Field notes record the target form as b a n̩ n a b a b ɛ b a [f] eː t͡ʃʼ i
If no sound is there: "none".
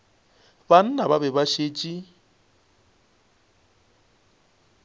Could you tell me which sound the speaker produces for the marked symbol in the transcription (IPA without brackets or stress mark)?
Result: ʃ